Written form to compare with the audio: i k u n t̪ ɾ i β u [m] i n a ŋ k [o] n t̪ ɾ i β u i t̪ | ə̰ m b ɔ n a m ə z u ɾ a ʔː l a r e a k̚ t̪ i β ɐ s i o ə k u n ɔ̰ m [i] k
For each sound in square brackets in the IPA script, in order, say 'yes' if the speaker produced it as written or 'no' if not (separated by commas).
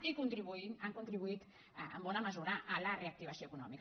no, no, yes